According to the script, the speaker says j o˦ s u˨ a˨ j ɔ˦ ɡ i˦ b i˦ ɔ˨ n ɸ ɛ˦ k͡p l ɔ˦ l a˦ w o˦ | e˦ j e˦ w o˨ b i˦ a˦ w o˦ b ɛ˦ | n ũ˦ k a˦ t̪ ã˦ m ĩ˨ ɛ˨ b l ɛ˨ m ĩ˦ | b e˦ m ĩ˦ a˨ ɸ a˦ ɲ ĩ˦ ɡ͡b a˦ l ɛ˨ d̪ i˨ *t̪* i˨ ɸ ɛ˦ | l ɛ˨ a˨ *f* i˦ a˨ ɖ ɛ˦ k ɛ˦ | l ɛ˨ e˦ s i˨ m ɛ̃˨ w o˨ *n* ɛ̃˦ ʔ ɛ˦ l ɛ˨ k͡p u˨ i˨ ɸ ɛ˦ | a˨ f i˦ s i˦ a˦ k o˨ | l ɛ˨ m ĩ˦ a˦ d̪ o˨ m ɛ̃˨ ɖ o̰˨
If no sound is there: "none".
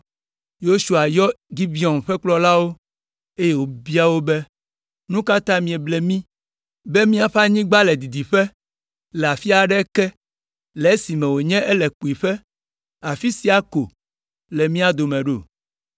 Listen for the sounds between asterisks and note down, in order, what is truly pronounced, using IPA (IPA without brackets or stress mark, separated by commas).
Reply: d̪, f, ɲ